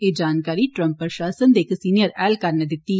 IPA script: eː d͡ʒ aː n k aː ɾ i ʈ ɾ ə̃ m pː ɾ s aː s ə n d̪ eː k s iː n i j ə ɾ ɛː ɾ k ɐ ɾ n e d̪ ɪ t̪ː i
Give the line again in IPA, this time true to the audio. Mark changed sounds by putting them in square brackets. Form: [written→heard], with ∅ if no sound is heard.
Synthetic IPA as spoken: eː d͡ʒ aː n k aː ɾ i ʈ ɾ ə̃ m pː ɾ [s→ʃ] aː s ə n d̪ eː k s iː n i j ə ɾ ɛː [ɾ→l] k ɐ ɾ n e d̪ ɪ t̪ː i